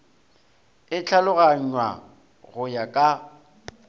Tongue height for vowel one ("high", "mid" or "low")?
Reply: high